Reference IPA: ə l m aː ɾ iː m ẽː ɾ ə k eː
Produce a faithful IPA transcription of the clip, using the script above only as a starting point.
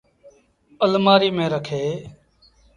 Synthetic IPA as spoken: ə l m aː ɾ iː m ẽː ɾ ə kʰ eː